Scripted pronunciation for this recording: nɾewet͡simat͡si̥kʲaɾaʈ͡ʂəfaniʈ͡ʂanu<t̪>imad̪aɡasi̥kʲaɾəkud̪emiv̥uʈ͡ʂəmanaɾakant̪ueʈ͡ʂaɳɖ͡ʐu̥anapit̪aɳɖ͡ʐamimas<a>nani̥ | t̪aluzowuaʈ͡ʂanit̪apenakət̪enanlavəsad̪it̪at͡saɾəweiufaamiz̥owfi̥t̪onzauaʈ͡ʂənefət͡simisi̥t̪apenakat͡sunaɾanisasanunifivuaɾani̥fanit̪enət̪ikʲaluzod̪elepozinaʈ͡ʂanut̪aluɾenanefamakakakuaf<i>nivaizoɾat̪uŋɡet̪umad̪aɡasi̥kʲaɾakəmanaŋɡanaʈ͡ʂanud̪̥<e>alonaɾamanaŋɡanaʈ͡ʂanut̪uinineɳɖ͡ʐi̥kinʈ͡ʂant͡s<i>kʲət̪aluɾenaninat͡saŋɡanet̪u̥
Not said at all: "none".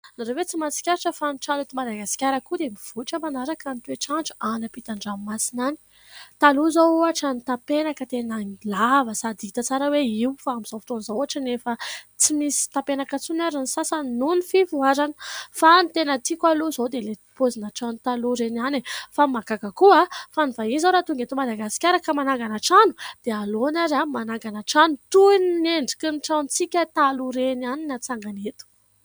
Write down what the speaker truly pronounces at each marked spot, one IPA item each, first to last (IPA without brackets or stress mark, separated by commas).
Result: t̪, i, a, e, i